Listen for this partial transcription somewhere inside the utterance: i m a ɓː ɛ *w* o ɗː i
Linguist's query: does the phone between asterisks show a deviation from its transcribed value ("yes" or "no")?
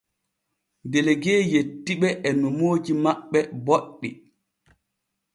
yes